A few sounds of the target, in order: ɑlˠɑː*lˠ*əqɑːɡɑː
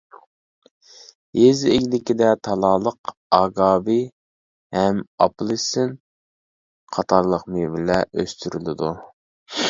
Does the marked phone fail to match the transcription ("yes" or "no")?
no